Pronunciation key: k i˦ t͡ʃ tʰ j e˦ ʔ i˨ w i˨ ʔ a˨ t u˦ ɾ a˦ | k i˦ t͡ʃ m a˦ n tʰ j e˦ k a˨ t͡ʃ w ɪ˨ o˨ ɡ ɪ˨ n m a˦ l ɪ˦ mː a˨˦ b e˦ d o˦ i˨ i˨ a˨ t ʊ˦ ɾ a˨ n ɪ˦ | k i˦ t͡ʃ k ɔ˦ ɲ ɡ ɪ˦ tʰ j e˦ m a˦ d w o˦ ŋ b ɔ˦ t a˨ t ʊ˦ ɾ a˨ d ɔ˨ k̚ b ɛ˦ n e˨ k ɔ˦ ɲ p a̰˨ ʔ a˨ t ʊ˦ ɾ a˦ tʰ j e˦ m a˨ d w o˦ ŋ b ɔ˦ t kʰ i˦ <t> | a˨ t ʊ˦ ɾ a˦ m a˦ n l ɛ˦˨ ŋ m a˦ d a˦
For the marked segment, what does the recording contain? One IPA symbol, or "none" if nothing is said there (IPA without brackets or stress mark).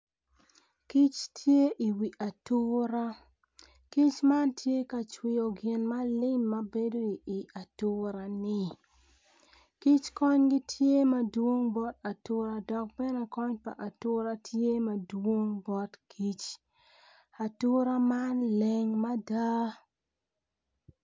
t͡ʃ